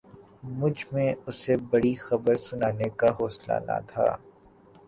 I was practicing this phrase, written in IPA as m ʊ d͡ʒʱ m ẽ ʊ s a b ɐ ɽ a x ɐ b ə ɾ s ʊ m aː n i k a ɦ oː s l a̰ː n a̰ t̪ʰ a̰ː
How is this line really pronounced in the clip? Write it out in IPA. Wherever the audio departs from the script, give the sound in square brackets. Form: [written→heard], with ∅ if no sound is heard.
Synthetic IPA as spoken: m ʊ d͡ʒʱ m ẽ ʊ s [a→e] b ɐ ɽ [a→i] x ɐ b ə ɾ s ʊ [m→n] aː n [i→e] k a ɦ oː s l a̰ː n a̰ t̪ʰ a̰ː